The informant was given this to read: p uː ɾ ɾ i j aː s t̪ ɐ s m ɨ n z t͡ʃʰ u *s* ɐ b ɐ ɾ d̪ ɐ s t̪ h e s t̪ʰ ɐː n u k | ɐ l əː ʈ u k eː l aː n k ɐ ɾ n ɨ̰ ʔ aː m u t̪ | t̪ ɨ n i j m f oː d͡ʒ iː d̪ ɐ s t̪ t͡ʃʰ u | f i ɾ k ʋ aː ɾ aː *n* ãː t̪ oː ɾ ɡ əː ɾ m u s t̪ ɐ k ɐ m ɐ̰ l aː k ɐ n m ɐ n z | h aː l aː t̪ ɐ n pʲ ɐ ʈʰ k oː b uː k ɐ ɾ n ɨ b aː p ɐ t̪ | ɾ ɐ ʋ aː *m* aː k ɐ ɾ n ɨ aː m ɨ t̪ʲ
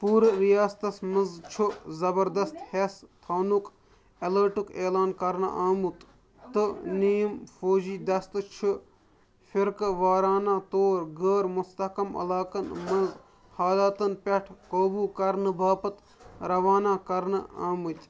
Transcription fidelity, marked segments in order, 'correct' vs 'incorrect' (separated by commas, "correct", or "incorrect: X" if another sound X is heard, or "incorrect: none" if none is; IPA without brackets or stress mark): incorrect: z, correct, incorrect: n